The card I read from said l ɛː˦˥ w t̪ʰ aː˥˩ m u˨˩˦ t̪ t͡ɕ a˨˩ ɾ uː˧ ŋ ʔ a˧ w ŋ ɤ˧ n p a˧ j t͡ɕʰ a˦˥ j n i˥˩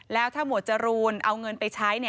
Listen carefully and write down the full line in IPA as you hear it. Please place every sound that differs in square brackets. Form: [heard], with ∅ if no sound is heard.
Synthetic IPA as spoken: l ɛː˦˥ w t̪ʰ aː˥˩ m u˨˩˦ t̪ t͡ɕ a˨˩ ɾ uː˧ [n] ʔ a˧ w ŋ ɤ˧ n p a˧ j t͡ɕʰ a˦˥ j n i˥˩